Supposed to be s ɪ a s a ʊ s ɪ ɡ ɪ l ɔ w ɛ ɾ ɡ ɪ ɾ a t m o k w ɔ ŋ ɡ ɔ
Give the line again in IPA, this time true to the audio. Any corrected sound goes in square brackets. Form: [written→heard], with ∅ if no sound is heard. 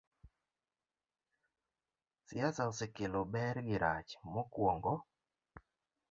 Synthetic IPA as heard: s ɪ a s a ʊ s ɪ [ɡ→k] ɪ l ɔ [w→b] ɛ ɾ ɡ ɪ ɾ a [t→t͡ʃ] m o k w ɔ ŋ ɡ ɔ